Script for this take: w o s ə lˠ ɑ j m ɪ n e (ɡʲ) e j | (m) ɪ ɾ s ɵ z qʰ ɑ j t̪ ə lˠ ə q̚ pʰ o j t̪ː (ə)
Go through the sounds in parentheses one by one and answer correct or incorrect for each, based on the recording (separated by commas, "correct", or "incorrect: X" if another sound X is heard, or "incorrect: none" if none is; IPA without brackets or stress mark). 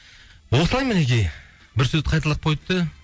incorrect: kʲ, incorrect: b, correct